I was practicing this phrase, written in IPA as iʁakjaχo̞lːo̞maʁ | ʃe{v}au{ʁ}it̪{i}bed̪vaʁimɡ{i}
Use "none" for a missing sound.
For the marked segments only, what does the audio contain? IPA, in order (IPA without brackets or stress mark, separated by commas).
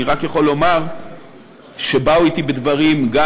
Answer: b, none, i, a